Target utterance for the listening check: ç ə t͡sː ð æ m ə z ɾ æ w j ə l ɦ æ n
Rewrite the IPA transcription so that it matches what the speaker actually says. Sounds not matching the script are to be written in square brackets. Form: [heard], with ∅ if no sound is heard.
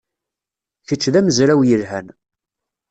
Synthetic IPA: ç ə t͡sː ð æ m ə z ɾ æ w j ə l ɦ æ n